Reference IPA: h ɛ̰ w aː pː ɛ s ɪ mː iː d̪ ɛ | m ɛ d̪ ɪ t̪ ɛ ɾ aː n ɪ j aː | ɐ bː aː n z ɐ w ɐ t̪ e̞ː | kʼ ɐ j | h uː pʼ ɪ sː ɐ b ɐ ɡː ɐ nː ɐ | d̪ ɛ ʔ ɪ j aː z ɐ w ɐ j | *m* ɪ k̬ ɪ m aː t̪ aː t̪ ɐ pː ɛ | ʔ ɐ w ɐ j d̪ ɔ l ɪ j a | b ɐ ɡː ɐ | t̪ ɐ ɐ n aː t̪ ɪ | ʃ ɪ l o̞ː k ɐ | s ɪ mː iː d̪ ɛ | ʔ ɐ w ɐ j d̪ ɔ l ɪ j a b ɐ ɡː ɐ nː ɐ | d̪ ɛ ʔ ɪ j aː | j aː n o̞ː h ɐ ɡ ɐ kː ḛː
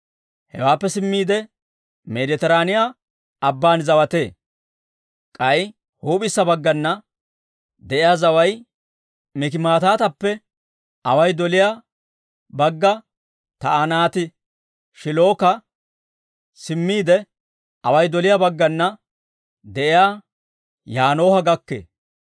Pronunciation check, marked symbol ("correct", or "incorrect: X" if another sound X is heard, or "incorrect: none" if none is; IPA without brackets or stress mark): correct